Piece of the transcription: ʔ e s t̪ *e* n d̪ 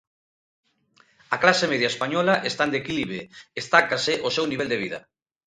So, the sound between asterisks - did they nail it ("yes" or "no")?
no